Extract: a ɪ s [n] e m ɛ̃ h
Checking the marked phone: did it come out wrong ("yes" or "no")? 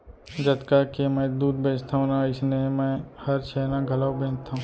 no